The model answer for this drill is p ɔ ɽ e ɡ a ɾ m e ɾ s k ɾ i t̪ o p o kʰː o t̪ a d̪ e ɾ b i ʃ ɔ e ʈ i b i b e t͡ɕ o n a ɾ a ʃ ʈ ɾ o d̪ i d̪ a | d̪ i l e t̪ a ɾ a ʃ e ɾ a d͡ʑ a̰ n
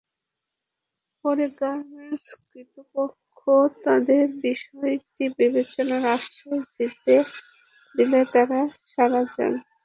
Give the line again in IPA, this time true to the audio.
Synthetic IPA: p ɔ ɾ e ɡ a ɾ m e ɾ s k ɾ i t̪ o p o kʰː o t̪ a d̪ e ɾ b i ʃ ɔ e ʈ i b i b e t͡ɕ o n a ɾ a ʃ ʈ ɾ o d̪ i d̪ e | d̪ i l e t̪ a ɾ a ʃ a ɾ a d͡ʑ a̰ n